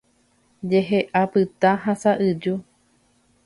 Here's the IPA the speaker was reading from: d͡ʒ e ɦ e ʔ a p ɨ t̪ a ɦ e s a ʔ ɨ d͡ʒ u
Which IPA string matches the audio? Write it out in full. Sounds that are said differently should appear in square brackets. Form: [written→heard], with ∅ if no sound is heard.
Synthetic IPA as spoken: d͡ʒ e ɦ e ʔ a p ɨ t̪ a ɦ [e→a] s a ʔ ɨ d͡ʒ u